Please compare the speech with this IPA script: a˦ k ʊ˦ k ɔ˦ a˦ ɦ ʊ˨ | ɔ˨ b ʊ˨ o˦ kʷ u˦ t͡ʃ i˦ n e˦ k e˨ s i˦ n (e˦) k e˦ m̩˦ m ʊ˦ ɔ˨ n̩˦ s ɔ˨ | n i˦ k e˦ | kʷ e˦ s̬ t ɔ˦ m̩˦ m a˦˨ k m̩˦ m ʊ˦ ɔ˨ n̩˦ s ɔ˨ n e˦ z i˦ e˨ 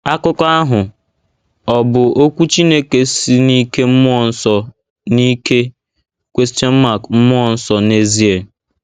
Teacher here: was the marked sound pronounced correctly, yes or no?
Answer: no